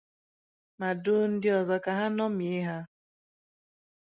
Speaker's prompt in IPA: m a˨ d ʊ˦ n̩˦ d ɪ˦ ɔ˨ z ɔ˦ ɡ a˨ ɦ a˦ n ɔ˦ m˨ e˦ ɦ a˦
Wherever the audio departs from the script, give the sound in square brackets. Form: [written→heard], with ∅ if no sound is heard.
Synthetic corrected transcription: m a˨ d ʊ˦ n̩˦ d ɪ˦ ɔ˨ z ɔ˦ [ɡ→k] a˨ ɦ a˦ n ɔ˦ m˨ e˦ ɦ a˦